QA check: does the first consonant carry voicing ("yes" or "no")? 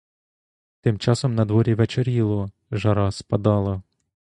no